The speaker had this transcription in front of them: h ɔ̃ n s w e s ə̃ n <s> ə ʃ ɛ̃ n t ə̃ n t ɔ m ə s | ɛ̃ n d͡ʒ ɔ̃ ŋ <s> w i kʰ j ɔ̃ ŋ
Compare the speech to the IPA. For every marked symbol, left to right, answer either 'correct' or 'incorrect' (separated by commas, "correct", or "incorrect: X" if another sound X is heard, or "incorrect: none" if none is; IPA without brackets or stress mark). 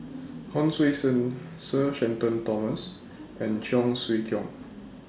correct, correct